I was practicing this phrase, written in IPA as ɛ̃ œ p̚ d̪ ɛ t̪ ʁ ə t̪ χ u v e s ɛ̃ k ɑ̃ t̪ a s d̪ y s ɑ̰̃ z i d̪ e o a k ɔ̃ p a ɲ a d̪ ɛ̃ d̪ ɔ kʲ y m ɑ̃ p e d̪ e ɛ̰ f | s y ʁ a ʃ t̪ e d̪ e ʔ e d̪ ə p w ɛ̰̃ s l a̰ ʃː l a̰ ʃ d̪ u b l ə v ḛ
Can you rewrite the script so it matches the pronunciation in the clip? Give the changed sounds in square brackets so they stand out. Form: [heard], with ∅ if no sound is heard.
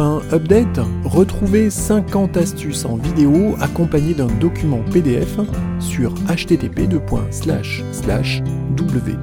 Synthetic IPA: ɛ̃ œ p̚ d̪ ɛ t̪ ʁ ə t̪ χ u v e s ɛ̃ k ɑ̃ t̪ a s [t̪] y s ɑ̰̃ [v] i d̪ e o a k ɔ̃ p a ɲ [e] d̪ ɛ̃ d̪ ɔ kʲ y m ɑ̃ p e d̪ e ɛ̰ f | s y ʁ a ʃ t̪ e [t̪] e [p] e d̪ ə p w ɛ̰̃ s l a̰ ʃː l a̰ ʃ d̪ u b l ə v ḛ